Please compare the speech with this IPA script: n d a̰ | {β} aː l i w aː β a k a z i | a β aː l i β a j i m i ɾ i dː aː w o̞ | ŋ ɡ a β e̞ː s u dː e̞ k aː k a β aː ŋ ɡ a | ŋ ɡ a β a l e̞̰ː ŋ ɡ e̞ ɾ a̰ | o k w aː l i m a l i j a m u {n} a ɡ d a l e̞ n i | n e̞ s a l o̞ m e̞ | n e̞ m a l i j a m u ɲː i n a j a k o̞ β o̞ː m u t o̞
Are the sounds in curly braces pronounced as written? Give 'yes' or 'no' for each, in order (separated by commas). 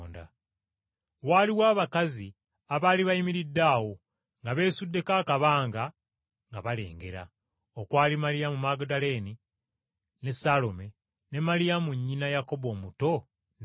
no, no